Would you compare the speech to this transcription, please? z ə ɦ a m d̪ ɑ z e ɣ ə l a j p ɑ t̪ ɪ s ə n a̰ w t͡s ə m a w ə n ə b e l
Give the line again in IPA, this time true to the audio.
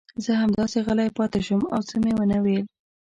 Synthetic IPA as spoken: z ə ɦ a m d̪ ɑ s e ɣ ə l a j p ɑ t̪ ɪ ʃ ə m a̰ w t͡s ə m e w ə n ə w e l